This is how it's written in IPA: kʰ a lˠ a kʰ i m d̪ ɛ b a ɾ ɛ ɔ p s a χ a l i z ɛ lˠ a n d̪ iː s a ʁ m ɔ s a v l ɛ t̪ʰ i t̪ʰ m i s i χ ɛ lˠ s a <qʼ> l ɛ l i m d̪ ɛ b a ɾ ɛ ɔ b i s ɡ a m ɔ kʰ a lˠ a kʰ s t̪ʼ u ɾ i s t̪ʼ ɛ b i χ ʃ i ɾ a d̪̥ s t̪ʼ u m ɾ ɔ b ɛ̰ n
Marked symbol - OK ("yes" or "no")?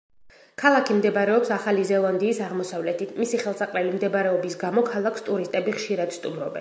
yes